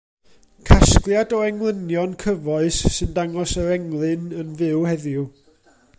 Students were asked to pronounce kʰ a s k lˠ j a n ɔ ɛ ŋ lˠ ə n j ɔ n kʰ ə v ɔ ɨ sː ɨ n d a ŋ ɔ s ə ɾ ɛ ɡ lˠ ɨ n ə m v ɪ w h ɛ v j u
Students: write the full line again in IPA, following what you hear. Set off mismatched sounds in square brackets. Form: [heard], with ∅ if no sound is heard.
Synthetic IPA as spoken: kʰ a s k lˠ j a [d] ɔ ɛ ŋ lˠ ə n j ɔ n kʰ ə v ɔ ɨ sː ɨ n d a ŋ ɔ s ə ɾ ɛ [ŋ] lˠ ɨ n ə [n] v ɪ w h ɛ [ð] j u